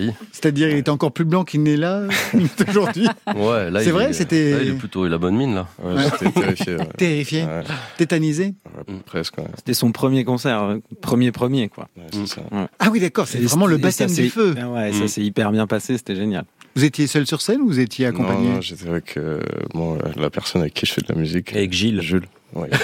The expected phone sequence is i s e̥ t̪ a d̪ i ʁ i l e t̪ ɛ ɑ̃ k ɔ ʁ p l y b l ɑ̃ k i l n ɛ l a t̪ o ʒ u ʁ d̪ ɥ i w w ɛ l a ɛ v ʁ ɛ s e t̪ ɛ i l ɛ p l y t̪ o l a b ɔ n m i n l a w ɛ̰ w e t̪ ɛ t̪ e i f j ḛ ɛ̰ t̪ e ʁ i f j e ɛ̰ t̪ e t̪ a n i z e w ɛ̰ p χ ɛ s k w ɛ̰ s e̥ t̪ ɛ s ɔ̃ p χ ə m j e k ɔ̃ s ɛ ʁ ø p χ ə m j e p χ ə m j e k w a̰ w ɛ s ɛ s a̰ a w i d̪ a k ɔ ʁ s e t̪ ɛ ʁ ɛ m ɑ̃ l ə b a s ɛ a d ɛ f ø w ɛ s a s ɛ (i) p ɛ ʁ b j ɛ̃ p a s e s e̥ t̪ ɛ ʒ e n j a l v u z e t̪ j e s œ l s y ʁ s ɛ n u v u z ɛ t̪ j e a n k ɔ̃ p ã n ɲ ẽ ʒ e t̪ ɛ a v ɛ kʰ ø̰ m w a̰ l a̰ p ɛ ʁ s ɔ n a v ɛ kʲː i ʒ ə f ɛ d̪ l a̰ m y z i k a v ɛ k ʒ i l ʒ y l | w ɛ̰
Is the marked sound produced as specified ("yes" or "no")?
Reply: yes